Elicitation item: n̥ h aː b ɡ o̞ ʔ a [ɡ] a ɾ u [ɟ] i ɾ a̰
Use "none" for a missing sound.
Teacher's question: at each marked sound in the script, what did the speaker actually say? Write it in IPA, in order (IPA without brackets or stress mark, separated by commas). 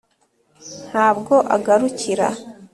ɡ, c